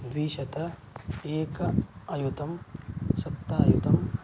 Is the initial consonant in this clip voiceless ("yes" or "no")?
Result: no